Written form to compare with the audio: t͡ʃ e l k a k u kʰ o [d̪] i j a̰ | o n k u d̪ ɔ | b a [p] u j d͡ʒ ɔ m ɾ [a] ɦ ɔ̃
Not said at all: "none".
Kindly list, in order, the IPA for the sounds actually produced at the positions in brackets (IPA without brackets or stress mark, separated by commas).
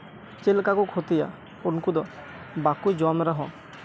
t̪, k, a